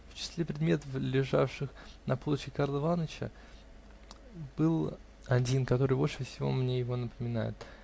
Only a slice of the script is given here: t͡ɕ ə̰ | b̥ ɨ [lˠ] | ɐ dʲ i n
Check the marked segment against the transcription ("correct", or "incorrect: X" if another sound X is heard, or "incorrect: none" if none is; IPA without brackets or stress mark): correct